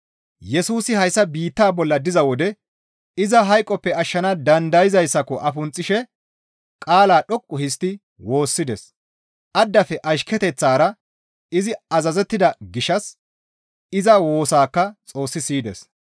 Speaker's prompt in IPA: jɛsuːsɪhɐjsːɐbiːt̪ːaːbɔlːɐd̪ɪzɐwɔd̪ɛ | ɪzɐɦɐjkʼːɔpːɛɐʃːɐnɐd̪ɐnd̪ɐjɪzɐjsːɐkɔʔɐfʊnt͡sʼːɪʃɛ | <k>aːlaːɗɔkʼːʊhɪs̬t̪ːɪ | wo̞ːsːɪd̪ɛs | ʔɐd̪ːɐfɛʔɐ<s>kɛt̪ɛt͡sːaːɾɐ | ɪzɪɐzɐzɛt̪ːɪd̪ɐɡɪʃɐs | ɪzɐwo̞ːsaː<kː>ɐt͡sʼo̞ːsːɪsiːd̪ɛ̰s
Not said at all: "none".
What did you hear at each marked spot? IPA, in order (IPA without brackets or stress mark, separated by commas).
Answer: kʼ, ʃ, kː